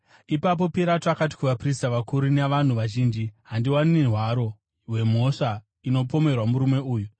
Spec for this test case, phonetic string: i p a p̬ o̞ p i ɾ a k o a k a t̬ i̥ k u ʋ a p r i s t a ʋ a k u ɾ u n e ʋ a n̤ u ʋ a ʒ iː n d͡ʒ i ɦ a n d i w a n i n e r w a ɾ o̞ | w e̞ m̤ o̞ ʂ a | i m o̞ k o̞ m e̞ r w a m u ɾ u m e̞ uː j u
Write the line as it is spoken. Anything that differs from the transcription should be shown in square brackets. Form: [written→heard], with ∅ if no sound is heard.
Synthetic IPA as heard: i p a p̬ o̞ p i ɾ a [k→t] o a k a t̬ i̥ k u ʋ a p r i s t a ʋ a k u ɾ u n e ʋ a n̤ u ʋ a ʒ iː n d͡ʒ i ɦ a n d i w a n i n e r w a ɾ o̞ | w e̞ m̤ o̞ ʂ a | i [m→n] o̞ [k→p] o̞ m e̞ r w a m u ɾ u m e̞ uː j u